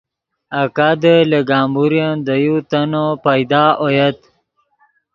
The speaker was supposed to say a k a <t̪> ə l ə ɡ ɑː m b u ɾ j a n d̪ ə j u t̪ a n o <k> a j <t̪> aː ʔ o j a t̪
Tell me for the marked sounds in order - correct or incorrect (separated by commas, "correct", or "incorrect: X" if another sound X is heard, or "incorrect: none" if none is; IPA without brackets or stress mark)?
incorrect: d̪, incorrect: p, incorrect: d̪